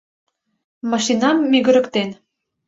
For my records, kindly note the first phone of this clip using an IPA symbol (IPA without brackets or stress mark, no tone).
m